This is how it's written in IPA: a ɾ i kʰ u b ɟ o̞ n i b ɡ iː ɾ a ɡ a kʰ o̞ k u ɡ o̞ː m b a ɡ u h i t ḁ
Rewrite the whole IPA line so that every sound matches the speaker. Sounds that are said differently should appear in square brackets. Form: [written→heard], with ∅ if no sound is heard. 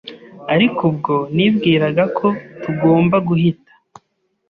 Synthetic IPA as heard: a ɾ i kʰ u b [ɟ→ɡ] o̞ n i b ɡ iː ɾ a ɡ a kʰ o̞ [k→t] u ɡ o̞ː m b a ɡ u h i t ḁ